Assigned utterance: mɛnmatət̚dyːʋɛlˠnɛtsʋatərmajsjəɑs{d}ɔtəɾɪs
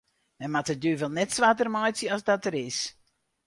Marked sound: correct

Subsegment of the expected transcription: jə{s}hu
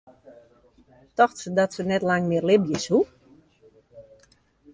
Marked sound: correct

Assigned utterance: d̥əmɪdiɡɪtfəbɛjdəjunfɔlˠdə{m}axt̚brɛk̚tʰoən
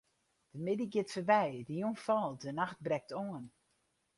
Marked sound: incorrect: n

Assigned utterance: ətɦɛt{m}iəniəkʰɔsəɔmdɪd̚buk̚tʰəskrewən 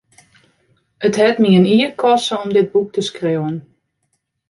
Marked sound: correct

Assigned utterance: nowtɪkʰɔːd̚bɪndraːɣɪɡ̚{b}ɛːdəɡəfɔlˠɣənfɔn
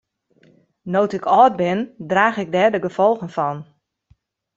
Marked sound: incorrect: d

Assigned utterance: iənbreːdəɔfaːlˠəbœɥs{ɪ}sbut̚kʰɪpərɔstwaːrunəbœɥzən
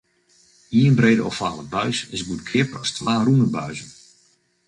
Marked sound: correct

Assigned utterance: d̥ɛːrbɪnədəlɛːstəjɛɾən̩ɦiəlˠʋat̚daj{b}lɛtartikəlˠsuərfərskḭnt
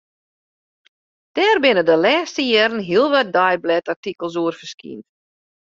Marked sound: correct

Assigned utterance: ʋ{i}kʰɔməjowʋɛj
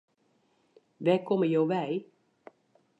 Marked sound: incorrect: ɛ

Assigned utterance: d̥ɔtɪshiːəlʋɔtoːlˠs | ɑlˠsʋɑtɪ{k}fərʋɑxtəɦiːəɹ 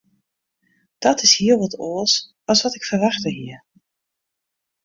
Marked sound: correct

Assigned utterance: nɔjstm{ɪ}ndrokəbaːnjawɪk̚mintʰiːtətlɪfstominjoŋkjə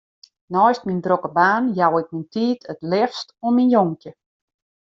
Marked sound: incorrect: i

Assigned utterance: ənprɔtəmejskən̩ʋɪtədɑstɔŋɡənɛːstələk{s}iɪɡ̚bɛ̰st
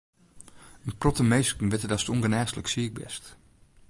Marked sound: correct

